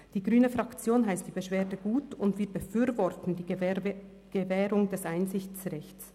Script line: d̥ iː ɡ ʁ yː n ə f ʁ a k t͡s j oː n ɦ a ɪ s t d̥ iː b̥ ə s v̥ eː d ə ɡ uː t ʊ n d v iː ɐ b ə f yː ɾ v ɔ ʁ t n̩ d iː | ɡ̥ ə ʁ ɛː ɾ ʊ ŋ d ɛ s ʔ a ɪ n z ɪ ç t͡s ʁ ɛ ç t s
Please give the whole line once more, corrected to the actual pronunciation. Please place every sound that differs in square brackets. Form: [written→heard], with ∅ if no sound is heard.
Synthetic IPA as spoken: d̥ iː ɡ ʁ yː n ə f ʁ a k t͡s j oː n ɦ a ɪ s t d̥ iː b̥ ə [s→ʃ] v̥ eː d ə ɡ uː t ʊ n d v iː ɐ b ə f yː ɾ v ɔ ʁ t n̩ d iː | ɡ̥ ə [ʁ→v] ɛː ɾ ʊ ŋ d ɛ s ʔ a ɪ n z ɪ ç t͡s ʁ ɛ ç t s